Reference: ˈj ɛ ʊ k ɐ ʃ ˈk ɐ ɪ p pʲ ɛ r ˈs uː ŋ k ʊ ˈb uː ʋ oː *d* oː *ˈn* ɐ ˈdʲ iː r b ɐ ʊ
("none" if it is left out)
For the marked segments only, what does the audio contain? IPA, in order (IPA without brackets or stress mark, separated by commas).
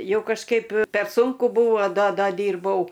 d, d